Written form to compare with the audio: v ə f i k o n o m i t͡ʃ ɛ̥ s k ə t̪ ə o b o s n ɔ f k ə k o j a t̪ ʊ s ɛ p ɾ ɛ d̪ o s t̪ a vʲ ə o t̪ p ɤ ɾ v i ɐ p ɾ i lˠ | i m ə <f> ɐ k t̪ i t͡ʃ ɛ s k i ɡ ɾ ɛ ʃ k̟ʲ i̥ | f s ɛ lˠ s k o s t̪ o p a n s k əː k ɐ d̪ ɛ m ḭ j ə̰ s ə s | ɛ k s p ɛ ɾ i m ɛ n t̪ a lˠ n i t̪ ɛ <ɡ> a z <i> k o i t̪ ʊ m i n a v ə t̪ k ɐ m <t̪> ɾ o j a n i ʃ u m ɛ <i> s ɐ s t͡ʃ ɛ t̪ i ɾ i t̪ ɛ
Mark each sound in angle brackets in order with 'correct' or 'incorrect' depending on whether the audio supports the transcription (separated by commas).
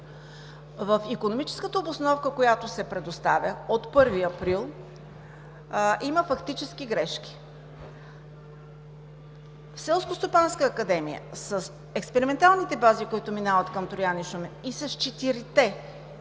correct, incorrect, correct, correct, correct